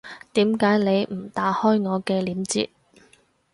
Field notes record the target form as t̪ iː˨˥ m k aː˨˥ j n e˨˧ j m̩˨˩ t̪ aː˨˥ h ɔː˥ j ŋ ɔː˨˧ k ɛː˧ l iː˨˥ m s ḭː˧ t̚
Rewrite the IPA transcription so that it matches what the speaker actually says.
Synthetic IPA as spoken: t̪ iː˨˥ m k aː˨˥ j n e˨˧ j m̩˨˩ t̪ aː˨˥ h ɔː˥ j ŋ ɔː˨˧ k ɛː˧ l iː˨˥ m t͡s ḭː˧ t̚